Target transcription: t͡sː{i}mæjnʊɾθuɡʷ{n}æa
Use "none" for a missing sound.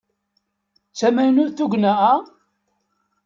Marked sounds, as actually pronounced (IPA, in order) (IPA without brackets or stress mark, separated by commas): æ, n